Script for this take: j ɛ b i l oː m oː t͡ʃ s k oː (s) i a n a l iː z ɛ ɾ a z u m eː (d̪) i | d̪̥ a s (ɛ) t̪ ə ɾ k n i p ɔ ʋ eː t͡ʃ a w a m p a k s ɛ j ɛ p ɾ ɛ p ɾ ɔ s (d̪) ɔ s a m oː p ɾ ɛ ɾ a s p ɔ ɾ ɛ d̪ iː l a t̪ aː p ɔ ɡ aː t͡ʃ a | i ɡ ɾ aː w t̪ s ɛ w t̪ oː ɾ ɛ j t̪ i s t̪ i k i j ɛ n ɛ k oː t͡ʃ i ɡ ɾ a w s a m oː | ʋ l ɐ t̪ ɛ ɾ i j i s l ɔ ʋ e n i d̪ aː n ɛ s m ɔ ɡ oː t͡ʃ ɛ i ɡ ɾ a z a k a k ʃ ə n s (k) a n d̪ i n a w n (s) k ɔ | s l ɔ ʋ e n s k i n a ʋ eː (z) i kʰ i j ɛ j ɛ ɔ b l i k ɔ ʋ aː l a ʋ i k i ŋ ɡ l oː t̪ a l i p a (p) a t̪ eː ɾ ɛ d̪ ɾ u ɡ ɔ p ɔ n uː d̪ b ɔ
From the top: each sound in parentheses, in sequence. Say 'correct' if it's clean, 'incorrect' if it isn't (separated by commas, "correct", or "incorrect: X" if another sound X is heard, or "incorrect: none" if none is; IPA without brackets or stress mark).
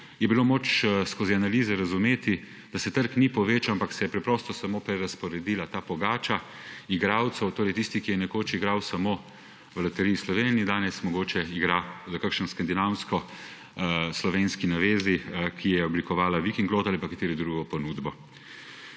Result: incorrect: z, incorrect: t̪, correct, incorrect: t̪, correct, correct, correct, incorrect: k